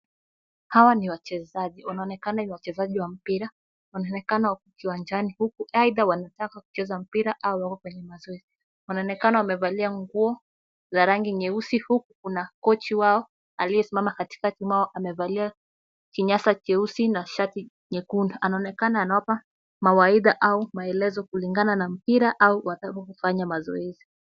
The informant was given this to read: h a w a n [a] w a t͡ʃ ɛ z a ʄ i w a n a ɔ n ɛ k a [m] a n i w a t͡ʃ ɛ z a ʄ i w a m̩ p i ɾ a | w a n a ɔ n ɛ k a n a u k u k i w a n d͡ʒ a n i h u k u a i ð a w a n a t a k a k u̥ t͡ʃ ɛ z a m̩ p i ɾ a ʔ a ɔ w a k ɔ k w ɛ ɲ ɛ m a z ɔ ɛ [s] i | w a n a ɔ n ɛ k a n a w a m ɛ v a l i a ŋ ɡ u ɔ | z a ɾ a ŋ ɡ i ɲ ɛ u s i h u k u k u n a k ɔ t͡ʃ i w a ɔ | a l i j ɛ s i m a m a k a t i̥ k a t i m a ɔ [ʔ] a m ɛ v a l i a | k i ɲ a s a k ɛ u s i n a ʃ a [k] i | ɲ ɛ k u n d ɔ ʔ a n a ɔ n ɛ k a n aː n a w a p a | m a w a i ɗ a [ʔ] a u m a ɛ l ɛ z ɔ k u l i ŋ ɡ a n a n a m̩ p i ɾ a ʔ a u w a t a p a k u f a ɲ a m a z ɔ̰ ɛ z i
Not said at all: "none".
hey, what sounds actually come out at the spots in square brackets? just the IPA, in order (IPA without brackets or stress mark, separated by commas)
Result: i, n, z, ʔ, t, ʔ